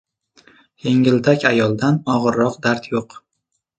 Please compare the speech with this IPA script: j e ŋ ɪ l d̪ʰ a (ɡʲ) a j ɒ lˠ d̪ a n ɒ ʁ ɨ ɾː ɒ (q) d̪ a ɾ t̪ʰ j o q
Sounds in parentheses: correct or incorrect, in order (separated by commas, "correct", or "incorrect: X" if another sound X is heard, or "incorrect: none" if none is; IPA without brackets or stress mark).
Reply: incorrect: kʲ, correct